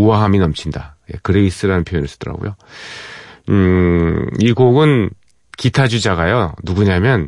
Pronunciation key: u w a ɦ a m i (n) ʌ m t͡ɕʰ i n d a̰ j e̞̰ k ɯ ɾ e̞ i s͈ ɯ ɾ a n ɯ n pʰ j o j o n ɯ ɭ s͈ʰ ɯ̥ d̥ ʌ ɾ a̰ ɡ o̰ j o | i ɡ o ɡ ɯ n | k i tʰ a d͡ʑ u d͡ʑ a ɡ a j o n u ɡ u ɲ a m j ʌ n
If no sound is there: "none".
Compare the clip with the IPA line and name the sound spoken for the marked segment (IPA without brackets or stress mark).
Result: n